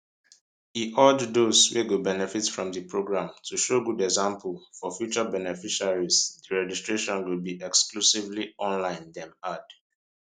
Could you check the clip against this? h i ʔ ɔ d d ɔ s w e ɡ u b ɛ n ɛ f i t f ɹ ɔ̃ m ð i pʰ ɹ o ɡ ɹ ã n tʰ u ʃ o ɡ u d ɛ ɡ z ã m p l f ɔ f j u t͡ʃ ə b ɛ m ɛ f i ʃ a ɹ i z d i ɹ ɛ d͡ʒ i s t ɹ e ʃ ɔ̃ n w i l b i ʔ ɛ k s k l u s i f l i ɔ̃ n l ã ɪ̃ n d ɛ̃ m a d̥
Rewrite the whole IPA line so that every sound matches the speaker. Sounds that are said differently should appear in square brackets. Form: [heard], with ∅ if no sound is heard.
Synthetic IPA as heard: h i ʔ ɔ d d [o] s w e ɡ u b ɛ n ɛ f i t f ɹ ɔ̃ m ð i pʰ ɹ o ɡ ɹ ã [m] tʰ u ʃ o ɡ u d ɛ ɡ z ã m p l f ɔ f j u t͡ʃ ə b ɛ [n] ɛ f i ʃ a ɹ i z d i ɹ ɛ d͡ʒ i s t ɹ e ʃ ɔ̃ n w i l b i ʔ ɛ k s k l u s i [v] l i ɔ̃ n l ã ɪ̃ n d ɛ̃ m a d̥